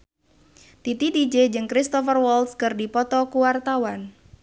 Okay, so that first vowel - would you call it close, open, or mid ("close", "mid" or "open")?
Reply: close